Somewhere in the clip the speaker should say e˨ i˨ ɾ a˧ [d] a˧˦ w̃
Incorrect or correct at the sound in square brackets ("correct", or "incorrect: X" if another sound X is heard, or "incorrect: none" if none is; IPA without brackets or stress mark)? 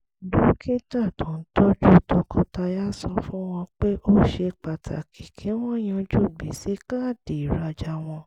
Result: incorrect: d͡ʒ